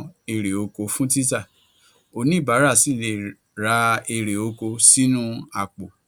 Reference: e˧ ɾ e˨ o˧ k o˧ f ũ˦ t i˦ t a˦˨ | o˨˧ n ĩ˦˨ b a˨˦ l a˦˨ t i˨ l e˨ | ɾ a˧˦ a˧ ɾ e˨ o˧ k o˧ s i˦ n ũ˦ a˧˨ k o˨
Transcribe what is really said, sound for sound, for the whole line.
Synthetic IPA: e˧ ɾ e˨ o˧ k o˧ f ũ˦ t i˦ t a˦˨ | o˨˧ n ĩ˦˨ b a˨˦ ɾ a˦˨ s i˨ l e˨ | ɾ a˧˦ e˧ ɾ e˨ o˧ k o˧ s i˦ n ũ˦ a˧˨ k͡p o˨